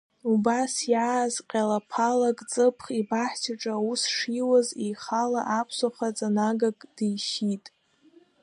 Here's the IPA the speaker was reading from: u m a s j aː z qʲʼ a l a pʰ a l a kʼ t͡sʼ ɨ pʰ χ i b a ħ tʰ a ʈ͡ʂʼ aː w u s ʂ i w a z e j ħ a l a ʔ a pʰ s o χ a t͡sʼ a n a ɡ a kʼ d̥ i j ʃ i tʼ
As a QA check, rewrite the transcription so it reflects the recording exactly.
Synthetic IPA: u b a s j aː z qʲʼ a l a pʰ a l a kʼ t͡sʼ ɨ pʰ χ i b a ħ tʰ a ʈ͡ʂʼ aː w u s ʂ i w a z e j χ a l a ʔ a pʰ s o χ a t͡sʼ a n a ɡ a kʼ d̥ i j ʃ i tʼ